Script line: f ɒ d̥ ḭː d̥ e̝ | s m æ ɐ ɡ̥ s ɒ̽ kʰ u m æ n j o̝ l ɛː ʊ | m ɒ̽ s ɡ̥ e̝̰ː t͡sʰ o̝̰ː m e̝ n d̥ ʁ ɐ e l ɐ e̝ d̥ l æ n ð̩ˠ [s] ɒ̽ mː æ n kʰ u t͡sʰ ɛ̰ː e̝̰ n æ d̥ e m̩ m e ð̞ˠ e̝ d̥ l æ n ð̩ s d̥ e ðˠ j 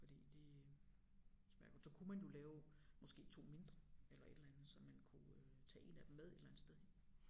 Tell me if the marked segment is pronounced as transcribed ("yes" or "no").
yes